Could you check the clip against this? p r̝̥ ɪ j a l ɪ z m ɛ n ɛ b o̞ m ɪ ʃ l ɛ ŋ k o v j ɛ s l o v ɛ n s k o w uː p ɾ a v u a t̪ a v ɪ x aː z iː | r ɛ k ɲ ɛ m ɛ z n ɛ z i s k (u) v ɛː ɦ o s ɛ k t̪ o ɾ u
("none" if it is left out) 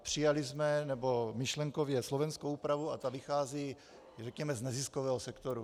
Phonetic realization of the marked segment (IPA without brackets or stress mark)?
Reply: o